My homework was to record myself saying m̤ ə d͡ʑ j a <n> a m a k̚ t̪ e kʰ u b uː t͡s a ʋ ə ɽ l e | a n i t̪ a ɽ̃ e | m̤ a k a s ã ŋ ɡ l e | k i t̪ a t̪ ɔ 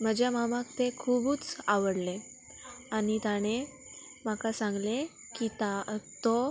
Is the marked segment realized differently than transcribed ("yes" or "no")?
yes